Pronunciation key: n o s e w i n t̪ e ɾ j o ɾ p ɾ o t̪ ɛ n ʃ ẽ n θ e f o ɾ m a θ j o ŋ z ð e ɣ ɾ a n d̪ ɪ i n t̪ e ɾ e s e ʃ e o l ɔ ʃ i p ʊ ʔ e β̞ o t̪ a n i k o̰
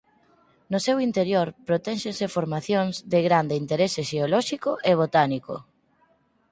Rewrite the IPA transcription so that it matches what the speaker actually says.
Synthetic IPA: n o s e w i n t̪ e ɾ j o ɾ p ɾ o t̪ ɛ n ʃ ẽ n s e f o ɾ m a θ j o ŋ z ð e ɣ ɾ a n d̪ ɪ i n t̪ e ɾ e s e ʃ e o l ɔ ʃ i k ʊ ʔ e β̞ o t̪ a n i k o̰

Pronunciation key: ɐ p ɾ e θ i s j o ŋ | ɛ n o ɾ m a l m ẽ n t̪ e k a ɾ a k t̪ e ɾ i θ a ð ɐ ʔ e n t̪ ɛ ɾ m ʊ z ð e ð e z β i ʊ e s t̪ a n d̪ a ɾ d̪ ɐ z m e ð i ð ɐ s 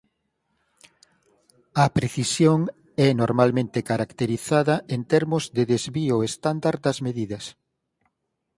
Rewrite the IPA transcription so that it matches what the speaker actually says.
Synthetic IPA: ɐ p ɾ e θ i s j o ŋ | ɛ n o ɾ m a l m ẽ n t̪ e k a ɾ a k t̪ e ɾ i θ a ð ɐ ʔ e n t̪ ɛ ɾ m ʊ z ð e ð e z β i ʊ e s t̪ a n d̪ a ɾ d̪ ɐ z m e ð i ð ɐ s

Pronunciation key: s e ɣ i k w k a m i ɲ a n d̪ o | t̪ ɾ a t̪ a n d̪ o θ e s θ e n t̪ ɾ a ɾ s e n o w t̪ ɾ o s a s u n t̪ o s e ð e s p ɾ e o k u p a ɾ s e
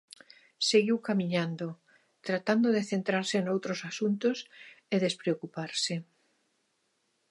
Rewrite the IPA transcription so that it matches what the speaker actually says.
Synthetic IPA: s e ɣ i w k a m i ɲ a n d̪ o | t̪ ɾ a t̪ a n d̪ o ð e θ e n t̪ ɾ a ɾ s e n o w t̪ ɾ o s a s u n t̪ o s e ð e s p ɾ e o k u p a ɾ s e

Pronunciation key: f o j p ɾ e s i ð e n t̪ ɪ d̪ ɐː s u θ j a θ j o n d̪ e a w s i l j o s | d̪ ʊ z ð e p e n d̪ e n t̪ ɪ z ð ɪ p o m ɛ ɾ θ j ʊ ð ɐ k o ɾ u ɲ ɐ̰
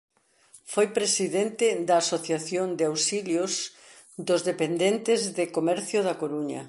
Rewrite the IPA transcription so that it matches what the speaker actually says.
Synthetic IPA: f o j p ɾ e s i ð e n t̪ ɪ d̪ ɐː s o θ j a θ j o n d̪ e a w s i l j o s | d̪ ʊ z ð e p e n d̪ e n t̪ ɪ z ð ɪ k o m ɛ ɾ θ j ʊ ð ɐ k o ɾ u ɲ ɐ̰

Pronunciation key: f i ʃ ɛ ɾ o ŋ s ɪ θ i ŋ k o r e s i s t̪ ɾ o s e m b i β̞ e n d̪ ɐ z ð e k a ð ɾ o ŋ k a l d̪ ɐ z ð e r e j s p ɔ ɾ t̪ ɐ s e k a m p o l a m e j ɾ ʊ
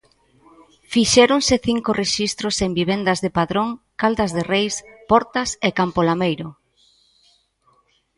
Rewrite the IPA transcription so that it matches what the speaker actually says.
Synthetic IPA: f i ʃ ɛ ɾ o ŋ s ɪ θ i ŋ k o r e ʃ i s t̪ ɾ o s e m b i β̞ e n d̪ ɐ z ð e p a ð ɾ o ŋ k a l d̪ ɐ z ð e r e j s p ɔ ɾ t̪ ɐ s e k a m p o l a m e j ɾ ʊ

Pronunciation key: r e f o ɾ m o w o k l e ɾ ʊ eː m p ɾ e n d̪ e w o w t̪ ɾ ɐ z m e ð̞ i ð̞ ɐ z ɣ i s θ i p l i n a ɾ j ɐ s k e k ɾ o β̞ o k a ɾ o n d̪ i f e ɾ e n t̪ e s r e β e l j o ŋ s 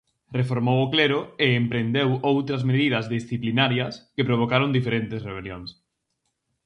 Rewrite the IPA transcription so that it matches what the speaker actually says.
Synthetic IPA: r e f o ɾ m o w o k l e ɾ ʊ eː m p ɾ e n d̪ e w o w t̪ ɾ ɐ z m e ð̞ i ð̞ ɐ z ð i s θ i p l i n a ɾ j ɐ s k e p ɾ o β̞ o k a ɾ o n d̪ i f e ɾ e n t̪ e s r e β e l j o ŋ s

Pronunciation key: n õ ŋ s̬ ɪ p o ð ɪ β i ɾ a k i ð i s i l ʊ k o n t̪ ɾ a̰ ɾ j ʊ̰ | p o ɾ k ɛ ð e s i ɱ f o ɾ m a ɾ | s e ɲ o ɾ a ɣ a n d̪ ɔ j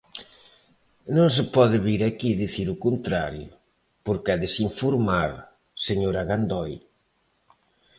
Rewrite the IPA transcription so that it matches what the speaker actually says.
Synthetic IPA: n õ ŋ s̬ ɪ p ɔ ð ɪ β i ɾ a k i ð i θ i ɾ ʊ k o n t̪ ɾ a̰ ɾ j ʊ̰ | p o ɾ k ɛ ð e s i ɱ f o ɾ m a ɾ | s e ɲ o ɾ a ɣ a n d̪ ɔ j

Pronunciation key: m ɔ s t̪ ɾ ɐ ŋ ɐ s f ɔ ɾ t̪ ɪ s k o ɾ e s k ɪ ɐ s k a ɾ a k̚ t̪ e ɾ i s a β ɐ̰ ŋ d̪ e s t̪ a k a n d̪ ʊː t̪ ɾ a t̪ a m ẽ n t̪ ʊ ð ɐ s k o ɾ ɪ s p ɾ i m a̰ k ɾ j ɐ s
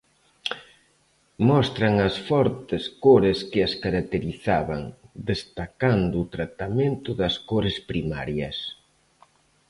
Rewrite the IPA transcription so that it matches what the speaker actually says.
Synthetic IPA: m ɔ s t̪ ɾ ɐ ŋ ɐ s f ɔ ɾ t̪ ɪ s k o ɾ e s k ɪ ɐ s k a ɾ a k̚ t̪ e ɾ i θ a β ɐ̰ ŋ d̪ e s t̪ a k a n d̪ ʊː t̪ ɾ a t̪ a m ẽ n t̪ ʊ ð ɐ s k o ɾ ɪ s p ɾ i m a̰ ɾ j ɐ s

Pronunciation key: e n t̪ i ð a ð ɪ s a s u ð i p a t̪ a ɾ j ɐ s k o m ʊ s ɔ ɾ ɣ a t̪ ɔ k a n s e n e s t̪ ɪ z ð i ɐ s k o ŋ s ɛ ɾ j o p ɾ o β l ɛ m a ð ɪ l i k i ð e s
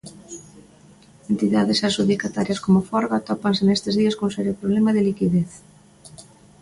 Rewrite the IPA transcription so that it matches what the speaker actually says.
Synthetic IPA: e n t̪ i ð a ð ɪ s a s u ð i k a t̪ a ɾ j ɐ s k o m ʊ f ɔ ɾ ɣ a t̪ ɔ p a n s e n e s t̪ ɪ z ð i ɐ s k o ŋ s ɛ ɾ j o p ɾ o β l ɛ m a ð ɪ l i k i ð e θ

